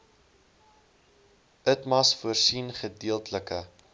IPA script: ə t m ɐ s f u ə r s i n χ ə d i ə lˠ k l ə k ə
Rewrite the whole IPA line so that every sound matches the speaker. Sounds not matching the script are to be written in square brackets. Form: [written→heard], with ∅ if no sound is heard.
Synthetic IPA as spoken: ə t m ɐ s f u ə r s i n χ ə d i ə lˠ [k→t] l ə k ə